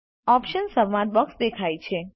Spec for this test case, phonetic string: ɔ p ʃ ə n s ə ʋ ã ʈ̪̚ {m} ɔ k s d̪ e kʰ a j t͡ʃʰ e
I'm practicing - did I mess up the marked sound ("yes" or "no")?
yes